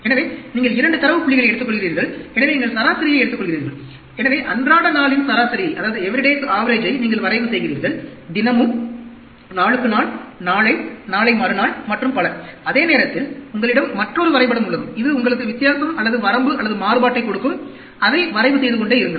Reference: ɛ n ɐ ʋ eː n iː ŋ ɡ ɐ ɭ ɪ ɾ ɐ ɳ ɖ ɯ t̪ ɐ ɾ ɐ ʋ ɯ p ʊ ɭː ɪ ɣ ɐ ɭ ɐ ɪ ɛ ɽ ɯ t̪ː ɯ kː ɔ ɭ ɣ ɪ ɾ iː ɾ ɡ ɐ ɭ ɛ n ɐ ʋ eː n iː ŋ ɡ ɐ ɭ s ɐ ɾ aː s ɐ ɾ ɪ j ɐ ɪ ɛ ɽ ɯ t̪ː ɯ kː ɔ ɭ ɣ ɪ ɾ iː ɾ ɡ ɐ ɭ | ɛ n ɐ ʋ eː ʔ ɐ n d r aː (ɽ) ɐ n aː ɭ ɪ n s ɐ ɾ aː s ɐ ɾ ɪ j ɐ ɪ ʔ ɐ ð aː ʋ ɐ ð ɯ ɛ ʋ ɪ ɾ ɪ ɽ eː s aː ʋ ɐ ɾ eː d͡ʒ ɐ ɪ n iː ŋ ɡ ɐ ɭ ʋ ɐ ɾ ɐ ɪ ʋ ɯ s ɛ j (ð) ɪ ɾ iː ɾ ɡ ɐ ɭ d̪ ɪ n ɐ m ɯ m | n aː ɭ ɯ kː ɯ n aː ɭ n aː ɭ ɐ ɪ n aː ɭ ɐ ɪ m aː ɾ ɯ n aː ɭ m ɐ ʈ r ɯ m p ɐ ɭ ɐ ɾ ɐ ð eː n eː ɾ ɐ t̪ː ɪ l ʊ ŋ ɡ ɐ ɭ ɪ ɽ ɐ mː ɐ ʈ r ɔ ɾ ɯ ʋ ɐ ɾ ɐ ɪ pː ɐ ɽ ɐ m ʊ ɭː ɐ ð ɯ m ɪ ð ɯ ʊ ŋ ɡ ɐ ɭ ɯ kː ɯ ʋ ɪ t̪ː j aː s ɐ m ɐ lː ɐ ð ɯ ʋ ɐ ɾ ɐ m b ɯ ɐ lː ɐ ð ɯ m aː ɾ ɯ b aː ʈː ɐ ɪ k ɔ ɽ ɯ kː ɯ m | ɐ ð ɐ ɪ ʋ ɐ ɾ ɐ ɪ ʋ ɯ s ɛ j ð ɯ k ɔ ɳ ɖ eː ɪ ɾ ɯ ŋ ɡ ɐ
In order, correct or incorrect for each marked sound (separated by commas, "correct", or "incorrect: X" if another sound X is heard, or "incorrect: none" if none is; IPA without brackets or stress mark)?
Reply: correct, incorrect: ɣ